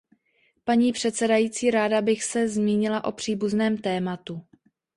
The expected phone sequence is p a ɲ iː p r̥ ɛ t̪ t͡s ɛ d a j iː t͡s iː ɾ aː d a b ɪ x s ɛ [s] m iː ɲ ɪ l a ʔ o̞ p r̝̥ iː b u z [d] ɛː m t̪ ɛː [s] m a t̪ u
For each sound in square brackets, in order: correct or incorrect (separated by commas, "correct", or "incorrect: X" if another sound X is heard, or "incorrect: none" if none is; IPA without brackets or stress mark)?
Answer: incorrect: z, incorrect: n, incorrect: none